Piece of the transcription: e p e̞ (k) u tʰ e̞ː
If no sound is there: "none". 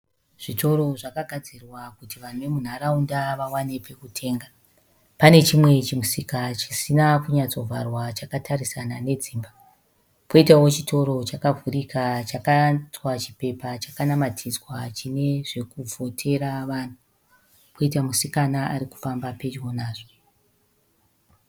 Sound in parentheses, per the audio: k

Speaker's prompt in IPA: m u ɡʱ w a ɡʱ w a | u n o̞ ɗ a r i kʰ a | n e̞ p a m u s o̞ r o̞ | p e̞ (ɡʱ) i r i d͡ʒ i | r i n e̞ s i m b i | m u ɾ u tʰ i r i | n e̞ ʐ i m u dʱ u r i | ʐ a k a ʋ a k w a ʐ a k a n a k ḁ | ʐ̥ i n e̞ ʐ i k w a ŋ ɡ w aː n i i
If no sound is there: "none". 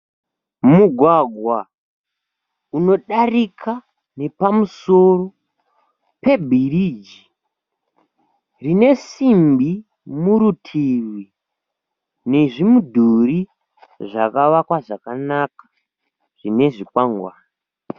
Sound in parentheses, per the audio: bʱ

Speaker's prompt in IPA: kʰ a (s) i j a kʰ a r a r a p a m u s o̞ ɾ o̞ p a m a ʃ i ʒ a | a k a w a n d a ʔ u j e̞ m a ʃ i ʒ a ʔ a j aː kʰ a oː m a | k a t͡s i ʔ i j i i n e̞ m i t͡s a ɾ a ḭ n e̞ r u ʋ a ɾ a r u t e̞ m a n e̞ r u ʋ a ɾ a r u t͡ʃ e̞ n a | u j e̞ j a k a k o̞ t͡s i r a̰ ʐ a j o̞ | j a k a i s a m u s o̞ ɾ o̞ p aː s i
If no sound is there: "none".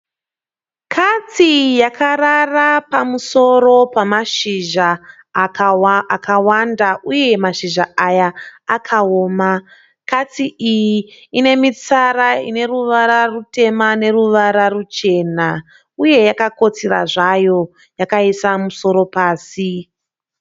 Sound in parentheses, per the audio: t͡s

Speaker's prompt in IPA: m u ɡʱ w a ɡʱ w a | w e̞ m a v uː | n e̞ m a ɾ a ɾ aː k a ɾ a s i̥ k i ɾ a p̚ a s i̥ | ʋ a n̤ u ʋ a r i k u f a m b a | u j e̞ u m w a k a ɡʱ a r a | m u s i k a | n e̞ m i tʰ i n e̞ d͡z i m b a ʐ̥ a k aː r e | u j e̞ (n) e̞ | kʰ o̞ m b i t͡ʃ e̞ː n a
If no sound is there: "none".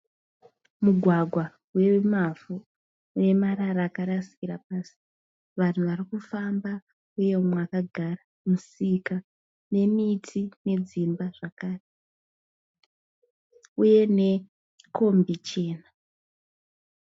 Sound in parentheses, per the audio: n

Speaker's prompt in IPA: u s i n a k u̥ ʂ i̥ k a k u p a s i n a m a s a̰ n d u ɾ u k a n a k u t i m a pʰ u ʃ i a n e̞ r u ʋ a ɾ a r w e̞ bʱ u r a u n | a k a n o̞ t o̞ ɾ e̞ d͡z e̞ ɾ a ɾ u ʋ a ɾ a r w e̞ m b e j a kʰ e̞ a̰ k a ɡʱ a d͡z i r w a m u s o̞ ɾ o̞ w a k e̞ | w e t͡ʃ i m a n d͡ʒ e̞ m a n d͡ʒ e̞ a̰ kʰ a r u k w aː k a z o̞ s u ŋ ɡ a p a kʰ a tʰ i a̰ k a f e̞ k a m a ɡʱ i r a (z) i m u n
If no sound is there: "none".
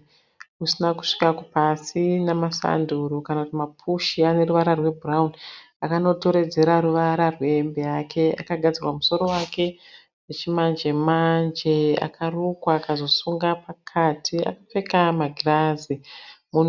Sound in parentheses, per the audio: z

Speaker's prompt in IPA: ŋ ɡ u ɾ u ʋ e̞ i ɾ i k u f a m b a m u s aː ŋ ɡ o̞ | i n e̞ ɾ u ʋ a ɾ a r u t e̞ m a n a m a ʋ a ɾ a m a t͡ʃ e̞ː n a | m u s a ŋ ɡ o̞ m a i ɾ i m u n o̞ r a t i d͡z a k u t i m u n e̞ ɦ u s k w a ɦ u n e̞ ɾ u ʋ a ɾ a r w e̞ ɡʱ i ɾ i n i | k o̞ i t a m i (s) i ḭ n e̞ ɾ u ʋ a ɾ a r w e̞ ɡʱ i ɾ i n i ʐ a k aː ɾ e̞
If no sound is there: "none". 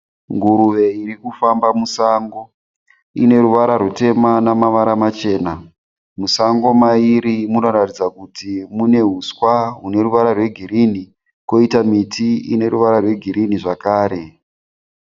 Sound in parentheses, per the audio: t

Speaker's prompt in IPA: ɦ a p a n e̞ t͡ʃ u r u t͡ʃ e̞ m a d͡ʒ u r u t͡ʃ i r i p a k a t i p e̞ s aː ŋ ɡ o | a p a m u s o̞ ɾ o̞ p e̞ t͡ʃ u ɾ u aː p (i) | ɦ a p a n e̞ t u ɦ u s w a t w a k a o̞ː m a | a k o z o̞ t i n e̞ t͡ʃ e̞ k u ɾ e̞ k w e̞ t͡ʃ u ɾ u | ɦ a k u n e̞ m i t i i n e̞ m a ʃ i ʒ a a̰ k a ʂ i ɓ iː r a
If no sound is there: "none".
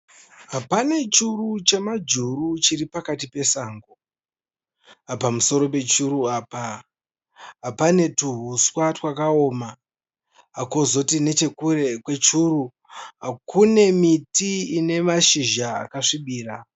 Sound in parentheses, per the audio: a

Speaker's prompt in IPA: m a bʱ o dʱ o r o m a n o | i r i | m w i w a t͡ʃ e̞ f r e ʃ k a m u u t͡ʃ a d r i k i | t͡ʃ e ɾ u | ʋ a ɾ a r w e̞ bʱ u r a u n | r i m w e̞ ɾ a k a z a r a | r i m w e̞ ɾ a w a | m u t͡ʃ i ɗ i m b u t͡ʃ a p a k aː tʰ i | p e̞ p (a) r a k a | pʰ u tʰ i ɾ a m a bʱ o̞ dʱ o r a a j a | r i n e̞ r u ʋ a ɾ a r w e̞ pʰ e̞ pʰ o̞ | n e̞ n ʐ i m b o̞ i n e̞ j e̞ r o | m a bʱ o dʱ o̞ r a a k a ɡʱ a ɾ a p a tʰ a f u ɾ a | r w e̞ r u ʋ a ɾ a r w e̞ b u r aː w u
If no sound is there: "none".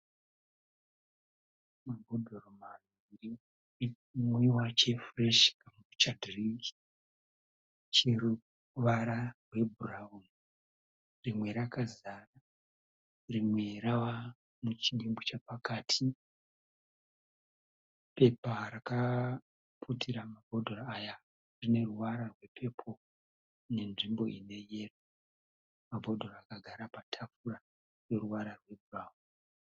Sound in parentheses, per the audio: a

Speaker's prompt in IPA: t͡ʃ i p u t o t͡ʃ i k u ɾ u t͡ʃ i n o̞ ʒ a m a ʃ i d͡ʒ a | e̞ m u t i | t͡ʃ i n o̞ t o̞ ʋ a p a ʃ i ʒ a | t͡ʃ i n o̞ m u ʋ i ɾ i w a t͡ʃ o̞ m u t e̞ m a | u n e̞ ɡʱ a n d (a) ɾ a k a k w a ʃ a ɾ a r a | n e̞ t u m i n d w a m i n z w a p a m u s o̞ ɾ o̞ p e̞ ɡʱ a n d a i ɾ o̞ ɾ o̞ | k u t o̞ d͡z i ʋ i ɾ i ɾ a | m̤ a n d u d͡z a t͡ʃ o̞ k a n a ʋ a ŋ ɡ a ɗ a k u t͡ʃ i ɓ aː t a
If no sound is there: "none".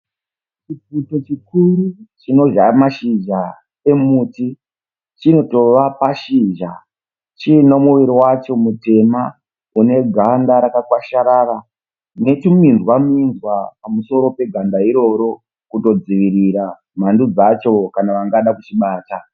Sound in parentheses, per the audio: a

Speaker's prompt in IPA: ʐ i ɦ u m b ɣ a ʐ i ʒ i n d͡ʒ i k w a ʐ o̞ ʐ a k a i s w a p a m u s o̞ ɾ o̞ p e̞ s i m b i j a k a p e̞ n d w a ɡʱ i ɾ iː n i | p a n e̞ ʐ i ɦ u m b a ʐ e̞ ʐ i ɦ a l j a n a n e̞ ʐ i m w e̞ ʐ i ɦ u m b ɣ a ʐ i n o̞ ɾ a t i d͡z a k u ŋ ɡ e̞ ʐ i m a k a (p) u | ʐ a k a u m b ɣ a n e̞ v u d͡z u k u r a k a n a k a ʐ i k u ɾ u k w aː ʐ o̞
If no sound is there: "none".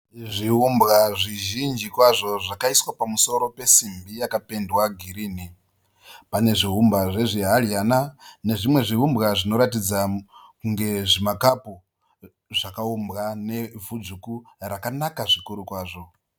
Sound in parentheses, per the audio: p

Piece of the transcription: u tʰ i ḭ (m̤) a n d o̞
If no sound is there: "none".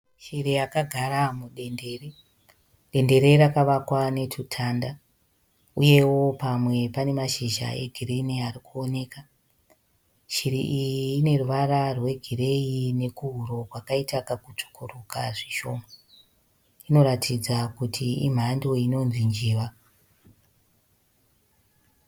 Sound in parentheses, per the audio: m̤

